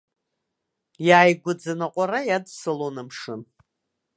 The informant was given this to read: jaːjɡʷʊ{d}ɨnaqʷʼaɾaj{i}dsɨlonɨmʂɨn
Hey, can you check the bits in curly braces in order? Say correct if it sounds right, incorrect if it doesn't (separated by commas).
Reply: incorrect, incorrect